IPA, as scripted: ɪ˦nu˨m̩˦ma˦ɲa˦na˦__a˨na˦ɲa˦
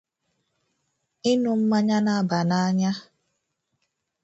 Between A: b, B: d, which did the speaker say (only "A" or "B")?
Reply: A